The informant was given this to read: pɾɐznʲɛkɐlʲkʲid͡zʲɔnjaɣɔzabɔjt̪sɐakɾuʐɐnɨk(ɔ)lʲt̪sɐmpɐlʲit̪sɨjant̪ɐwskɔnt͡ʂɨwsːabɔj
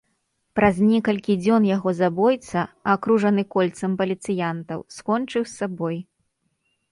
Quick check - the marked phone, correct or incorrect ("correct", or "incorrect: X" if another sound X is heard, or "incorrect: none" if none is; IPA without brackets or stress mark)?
correct